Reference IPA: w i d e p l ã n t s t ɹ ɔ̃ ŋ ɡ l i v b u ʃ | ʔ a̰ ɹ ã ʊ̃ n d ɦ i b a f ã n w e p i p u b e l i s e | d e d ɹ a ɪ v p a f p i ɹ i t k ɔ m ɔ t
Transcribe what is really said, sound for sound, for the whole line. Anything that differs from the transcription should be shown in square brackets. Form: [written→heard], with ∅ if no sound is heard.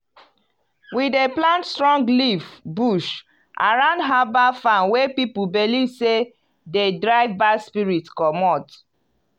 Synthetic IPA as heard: w i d e p l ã n t s t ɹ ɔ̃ ŋ ɡ l i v b u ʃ | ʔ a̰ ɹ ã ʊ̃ n d ɦ [i→a] b a f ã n w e p i p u b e l i s e | d e d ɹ a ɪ v [p→b] a [f→s] p i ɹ i t k ɔ m ɔ t